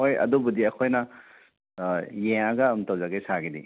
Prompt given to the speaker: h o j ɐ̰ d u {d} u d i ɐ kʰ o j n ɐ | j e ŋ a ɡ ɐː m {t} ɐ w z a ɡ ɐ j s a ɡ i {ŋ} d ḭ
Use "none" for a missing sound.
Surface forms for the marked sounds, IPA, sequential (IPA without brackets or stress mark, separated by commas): b, t, none